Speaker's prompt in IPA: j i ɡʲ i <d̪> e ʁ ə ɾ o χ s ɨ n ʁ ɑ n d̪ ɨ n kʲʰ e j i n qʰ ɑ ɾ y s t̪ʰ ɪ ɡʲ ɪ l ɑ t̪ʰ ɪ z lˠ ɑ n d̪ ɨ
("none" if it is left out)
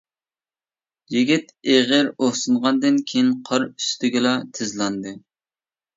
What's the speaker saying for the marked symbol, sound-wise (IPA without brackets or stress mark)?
t̪